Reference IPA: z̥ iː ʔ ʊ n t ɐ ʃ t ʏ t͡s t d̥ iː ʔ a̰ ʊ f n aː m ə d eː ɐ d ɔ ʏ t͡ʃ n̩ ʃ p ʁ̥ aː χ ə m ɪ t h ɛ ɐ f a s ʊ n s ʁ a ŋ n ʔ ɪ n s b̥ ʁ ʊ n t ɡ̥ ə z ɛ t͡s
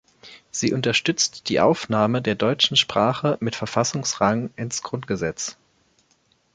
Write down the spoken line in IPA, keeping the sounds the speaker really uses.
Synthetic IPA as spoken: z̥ iː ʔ ʊ n t ɐ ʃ t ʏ t͡s t d̥ iː ʔ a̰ ʊ f n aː m ə d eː ɐ d ɔ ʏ t͡ʃ n̩ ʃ p ʁ̥ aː χ ə m ɪ t f ɛ ɐ f a s ʊ ŋ s ʁ a ŋ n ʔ ɪ n s ɡ̥ ʁ ʊ n t ɡ̥ ə z ɛ t͡s

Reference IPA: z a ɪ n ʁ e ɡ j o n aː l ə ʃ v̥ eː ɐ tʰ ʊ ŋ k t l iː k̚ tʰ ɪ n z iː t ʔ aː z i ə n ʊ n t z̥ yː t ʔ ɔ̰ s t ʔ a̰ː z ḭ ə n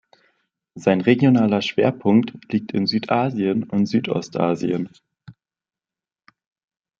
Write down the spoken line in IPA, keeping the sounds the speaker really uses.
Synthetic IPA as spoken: z a ɪ n ʁ e ɡ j o n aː l ɐ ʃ v̥ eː ɐ pʰ ʊ ŋ k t l iː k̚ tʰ ɪ n z yː t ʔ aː z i ə n ʊ n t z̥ yː t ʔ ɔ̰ s t ʔ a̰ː z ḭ ə n

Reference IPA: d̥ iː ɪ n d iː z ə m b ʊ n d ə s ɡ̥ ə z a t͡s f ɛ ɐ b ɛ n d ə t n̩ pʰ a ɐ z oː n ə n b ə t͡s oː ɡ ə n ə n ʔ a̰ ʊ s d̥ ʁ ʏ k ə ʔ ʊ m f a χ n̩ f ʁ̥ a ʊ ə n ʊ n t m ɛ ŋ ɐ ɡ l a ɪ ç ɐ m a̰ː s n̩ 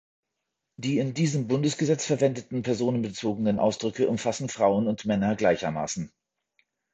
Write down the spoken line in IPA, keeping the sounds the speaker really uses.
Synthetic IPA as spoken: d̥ iː ɪ n d iː z ə m b ʊ n d ə s ɡ̥ ə z ɛ t͡s f ɛ ɐ v ɛ n d ə t n̩ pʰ ɛ ɐ z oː n ə n b ə t͡s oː ɡ ə n ə n ʔ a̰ ʊ s d̥ ʁ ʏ k ə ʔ ʊ m f a s n̩ f ʁ̥ a ʊ ə n ʊ n t m ɛ n ɐ ɡ l a ɪ ç ɐ m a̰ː s n̩

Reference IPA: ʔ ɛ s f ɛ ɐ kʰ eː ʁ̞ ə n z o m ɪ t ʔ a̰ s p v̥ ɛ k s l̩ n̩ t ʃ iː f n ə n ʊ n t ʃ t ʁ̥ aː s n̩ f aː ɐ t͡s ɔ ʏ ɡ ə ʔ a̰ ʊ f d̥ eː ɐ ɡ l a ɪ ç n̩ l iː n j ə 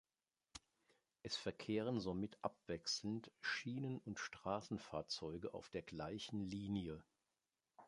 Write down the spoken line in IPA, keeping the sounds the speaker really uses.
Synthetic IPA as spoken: ʔ ɛ s f ɛ ɐ kʰ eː ʁ̞ ə n z o m ɪ t ʔ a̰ p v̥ ɛ k s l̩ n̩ t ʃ iː n ə n ʊ n t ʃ t ʁ̥ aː s n̩ f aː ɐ t͡s ɔ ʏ ɡ ə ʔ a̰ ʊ f d̥ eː ɐ ɡ l a ɪ ç n̩ l iː n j ə

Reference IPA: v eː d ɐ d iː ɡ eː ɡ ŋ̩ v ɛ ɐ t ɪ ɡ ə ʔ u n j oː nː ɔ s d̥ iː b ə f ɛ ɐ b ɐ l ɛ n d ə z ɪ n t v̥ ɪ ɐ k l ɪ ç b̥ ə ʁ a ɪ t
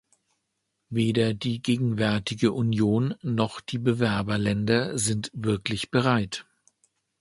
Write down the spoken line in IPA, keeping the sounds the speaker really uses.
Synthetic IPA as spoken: v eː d ɐ d iː ɡ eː ɡ ŋ̩ v ɛ ɐ t ɪ ɡ ə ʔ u n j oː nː ɔ χ d̥ iː b ə v ɛ ɐ b ɐ l ɛ n d ɐ z ɪ n t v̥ ɪ ɐ k l ɪ ç b̥ ə ʁ a ɪ t

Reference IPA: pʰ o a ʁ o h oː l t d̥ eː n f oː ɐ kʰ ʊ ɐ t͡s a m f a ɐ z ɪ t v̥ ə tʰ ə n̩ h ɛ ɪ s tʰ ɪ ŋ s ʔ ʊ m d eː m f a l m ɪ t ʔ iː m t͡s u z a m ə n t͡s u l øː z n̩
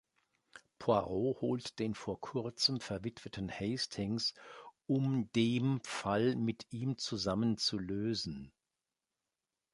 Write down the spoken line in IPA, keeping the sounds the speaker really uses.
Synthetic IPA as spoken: pʰ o a ʁ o h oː l t d̥ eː n f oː ɐ kʰ ʊ ɐ t͡s ə m f ɛ ɐ v ɪ t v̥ ə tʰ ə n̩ h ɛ ɪ s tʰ ɪ ŋ s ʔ ʊ m d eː m f a l m ɪ t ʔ iː m t͡s u z a m ə n t͡s u l øː z n̩

